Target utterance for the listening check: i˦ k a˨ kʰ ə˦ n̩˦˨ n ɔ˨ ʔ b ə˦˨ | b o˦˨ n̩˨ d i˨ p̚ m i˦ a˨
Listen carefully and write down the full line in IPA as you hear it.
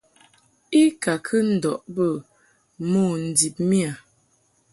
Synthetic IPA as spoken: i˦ k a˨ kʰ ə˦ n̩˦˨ d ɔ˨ ʔ b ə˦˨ | m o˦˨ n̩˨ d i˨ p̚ m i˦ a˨